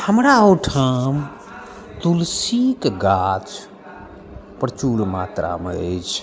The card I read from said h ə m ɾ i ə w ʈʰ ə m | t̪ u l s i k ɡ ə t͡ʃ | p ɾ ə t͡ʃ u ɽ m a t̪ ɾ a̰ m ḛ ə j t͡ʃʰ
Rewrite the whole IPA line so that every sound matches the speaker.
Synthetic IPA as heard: h ə m ɾ a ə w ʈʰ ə m | t̪ u l s i k ɡ a t͡ʃ | p ɾ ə t͡ʃ u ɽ m a t̪ ɾ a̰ m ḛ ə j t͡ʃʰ